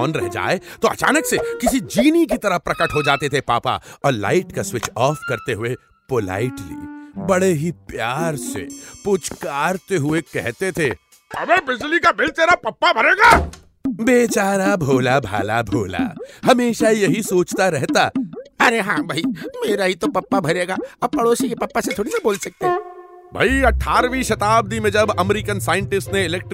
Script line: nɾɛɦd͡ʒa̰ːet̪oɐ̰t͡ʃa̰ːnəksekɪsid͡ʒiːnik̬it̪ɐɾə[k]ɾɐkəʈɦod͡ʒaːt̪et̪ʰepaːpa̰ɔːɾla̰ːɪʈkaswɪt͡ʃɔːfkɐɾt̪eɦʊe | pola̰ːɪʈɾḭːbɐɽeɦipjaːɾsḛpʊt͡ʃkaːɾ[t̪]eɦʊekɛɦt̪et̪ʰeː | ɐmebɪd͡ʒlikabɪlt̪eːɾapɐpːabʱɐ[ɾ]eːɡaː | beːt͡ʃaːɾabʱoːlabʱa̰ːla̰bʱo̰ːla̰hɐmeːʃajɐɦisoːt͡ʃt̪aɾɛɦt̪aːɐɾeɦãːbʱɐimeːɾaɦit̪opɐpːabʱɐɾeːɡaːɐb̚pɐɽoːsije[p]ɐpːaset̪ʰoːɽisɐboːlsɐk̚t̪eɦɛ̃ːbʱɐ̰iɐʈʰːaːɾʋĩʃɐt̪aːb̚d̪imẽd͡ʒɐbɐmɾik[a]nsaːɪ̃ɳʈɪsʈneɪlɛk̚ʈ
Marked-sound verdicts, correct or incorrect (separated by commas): incorrect, correct, correct, correct, incorrect